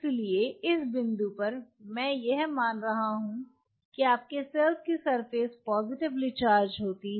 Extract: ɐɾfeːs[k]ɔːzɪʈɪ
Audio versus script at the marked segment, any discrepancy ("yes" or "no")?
yes